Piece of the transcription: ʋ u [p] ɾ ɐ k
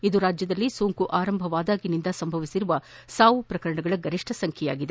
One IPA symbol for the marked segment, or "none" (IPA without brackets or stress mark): p